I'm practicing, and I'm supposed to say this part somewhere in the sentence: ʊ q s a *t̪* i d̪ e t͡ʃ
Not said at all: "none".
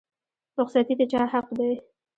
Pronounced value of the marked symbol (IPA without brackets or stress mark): t̪